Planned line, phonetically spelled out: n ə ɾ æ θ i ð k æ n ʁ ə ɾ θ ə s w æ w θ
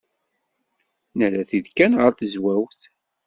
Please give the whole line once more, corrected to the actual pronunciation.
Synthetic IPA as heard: n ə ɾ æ θ i ð k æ n ʁ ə ɾ θ ə z w æ w θ

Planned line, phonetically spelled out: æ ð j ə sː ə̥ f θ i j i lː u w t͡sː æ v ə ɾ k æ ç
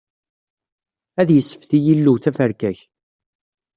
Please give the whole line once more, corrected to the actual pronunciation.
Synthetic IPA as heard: æ ð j ə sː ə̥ f θ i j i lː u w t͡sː æ f ə ɾ k æ ç

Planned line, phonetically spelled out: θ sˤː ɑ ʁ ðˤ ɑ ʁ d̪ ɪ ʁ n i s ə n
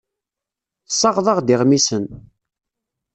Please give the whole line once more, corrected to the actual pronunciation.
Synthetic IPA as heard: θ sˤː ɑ ʁ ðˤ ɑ ʁ d̪ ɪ ʁ m i s ə n

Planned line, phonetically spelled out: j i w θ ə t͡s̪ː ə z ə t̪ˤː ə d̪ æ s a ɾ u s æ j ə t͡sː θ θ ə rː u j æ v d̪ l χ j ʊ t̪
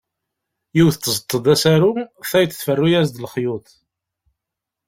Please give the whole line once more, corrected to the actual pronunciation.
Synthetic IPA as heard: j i w θ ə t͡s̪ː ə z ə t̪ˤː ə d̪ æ s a ɾ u θ æ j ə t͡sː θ f ə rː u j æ z d̪ l χ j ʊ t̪

